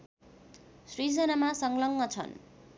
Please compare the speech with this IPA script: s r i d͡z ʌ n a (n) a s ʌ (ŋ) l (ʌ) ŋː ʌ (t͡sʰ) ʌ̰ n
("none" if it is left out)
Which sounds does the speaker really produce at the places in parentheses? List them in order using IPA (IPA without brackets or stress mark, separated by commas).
m, ŋ, ʌ, t͡sʰ